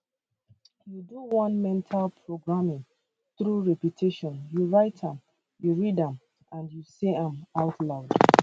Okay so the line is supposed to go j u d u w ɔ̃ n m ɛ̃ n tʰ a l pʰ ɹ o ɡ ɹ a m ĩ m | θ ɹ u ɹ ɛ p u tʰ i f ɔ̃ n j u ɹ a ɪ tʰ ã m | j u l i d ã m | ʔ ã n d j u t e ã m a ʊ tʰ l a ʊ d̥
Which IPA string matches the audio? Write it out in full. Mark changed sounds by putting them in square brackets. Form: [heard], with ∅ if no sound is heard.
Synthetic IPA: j u d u w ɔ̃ n m ɛ̃ n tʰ a l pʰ ɹ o ɡ ɹ a m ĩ [ŋ] | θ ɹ u ɹ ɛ p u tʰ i [ʃ] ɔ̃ n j u ɹ a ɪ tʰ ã m | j u [ɹ] i d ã m | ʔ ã n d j u [s] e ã m a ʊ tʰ l a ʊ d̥